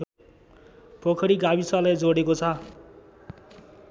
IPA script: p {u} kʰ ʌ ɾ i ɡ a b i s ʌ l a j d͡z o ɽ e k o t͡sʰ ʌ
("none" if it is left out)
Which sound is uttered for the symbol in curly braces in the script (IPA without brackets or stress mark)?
o